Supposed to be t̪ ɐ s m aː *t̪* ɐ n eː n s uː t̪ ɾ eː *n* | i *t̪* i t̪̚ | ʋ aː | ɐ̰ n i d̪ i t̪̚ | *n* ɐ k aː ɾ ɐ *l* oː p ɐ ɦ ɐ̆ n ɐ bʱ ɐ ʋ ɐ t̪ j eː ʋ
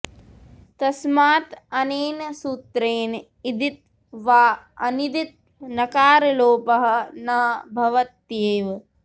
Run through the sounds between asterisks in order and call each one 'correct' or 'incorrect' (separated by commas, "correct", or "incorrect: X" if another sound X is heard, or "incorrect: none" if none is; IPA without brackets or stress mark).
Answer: correct, correct, incorrect: d̪, correct, correct